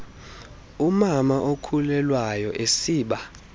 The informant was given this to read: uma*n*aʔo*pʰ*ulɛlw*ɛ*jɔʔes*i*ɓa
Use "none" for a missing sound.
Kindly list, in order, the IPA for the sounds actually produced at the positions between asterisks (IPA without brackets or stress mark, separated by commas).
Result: m, kʰ, a, iː